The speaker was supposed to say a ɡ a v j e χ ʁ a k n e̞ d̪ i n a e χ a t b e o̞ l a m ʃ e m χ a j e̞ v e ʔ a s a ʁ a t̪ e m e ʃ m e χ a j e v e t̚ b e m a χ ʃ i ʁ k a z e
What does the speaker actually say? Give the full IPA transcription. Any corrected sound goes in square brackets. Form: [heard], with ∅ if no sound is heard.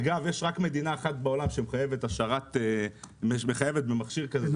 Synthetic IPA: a ɡ a v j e [ʃ] ʁ a k [m] e̞ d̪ i n a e χ a t b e o̞ l a m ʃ e m χ a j e̞ v e [t] a [ʃ] a ʁ a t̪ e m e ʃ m e χ a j e v e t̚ b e m a χ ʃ i ʁ k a z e